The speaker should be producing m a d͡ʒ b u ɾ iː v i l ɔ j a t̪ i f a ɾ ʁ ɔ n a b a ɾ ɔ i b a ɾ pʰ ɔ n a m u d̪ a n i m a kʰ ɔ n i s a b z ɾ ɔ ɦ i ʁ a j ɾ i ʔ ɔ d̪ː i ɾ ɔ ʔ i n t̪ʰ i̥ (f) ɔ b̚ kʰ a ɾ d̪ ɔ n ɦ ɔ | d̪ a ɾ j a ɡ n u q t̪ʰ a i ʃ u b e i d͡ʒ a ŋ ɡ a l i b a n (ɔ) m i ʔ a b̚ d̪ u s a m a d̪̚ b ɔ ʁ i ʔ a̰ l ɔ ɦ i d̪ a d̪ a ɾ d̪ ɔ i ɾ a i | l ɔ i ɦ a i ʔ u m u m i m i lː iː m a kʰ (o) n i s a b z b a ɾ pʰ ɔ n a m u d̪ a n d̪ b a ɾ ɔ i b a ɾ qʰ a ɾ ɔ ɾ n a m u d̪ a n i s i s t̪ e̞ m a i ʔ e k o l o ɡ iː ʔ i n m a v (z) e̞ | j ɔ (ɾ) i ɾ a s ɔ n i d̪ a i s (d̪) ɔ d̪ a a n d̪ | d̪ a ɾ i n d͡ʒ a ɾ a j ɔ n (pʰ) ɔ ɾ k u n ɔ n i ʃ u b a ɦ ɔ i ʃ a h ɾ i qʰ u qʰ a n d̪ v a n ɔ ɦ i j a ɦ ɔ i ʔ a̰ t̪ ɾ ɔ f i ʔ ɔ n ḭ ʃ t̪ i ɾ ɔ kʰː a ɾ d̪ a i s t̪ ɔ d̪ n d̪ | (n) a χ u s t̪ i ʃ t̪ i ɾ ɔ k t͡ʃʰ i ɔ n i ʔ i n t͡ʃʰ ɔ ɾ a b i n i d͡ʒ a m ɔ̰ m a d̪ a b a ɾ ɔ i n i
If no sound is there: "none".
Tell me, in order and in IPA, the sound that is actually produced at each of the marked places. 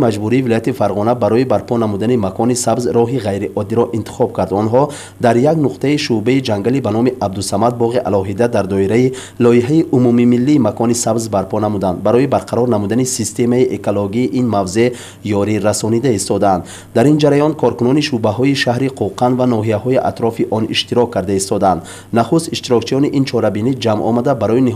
χ, ɔ, ɔ, z, ɾ, t̪, kʰ, n

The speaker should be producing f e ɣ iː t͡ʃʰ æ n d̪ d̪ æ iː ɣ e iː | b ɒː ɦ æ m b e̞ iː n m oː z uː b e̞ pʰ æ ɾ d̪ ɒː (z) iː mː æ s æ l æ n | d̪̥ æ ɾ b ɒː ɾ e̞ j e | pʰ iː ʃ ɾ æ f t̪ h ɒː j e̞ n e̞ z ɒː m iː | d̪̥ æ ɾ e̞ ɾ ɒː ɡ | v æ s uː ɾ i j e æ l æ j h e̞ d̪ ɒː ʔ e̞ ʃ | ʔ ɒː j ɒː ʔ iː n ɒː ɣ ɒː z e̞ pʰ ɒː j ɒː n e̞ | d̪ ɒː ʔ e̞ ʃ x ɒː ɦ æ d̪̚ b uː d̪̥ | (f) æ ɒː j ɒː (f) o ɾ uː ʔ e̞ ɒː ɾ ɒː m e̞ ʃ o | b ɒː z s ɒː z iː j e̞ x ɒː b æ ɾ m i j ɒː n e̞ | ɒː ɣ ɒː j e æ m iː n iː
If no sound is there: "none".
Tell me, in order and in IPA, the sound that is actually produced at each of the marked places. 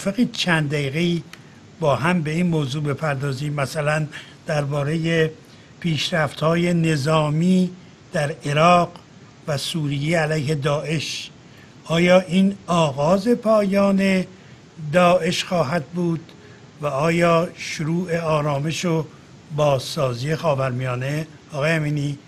z, v, ʃ

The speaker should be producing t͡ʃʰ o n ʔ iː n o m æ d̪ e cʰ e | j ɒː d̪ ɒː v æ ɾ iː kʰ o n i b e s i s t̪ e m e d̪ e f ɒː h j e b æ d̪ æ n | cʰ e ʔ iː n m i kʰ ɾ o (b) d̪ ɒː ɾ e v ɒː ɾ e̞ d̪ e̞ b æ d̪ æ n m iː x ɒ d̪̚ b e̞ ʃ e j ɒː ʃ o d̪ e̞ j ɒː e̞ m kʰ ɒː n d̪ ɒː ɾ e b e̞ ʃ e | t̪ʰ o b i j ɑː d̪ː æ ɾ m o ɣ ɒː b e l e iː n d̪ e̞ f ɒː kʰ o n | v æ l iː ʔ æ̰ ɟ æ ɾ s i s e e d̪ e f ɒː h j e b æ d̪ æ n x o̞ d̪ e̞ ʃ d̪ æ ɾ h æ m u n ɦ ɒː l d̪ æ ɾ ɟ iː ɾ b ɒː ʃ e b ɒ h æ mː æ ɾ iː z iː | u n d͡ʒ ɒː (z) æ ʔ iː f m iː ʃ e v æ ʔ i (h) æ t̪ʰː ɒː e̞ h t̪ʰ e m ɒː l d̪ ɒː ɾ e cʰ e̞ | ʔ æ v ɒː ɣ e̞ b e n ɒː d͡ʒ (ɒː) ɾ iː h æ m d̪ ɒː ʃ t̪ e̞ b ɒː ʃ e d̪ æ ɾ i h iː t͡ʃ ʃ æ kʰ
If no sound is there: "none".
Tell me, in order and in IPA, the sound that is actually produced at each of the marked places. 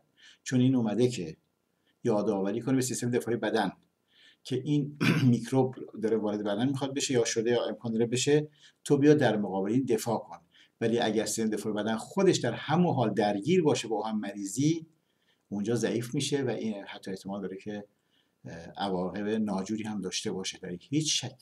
b, z, h, uː

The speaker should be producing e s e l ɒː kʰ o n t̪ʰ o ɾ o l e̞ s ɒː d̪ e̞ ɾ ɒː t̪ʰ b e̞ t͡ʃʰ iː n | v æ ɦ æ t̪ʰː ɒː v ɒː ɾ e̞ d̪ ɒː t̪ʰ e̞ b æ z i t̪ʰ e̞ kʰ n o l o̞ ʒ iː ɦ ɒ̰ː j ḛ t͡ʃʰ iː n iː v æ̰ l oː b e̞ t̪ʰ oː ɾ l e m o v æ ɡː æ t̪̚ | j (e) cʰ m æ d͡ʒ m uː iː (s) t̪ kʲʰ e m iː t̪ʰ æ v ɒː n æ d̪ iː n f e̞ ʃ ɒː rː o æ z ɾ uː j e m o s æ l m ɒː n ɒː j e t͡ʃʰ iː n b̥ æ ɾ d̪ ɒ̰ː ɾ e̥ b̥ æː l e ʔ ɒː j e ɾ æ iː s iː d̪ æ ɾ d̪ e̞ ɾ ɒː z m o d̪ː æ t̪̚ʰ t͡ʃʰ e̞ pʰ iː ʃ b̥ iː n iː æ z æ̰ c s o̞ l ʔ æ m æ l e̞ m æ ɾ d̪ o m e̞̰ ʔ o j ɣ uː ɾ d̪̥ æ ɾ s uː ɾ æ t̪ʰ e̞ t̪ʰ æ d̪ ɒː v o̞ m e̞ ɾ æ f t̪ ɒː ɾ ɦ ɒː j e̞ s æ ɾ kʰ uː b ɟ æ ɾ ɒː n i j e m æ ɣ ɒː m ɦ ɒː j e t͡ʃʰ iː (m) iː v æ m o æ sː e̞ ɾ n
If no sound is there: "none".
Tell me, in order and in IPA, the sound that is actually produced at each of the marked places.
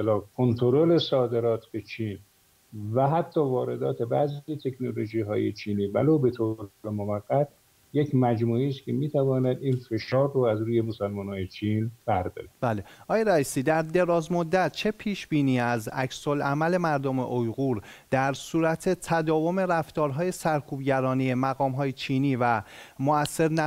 e, s, n

